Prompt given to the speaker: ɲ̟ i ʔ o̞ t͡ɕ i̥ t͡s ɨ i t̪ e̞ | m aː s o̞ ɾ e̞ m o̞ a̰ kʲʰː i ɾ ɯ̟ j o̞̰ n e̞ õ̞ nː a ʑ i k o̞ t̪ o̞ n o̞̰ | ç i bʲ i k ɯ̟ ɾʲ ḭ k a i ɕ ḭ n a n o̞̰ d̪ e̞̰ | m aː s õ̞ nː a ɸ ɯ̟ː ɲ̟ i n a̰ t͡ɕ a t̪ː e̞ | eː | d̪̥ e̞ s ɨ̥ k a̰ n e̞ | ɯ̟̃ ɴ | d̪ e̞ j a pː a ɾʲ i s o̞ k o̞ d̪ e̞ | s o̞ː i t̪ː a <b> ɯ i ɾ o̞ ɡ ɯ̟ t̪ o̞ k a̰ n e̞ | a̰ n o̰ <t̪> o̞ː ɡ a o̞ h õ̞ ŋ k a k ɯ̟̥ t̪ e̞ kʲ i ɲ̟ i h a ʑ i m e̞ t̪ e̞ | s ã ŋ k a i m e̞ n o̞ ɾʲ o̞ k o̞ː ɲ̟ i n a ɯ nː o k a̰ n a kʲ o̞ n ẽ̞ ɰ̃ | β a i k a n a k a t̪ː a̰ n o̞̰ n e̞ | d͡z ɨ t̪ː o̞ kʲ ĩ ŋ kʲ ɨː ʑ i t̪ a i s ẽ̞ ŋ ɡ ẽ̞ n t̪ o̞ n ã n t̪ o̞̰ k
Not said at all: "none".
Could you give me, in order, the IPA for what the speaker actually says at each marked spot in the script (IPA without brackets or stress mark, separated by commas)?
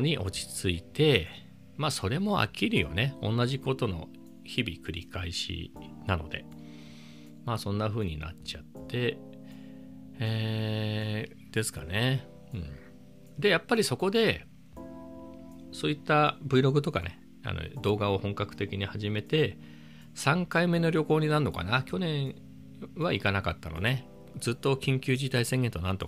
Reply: b, d̪